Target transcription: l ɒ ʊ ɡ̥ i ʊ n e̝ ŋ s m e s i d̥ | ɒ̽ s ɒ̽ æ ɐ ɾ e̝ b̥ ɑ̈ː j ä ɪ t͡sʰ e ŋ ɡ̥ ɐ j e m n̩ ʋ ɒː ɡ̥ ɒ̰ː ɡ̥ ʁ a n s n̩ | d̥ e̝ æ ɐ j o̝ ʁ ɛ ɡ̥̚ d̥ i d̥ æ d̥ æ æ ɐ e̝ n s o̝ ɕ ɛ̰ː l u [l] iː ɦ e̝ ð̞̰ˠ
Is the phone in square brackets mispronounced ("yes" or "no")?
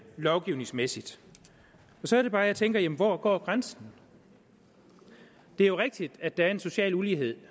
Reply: no